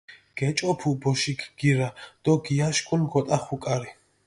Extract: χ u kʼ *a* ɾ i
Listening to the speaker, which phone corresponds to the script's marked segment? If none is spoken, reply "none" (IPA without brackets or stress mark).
a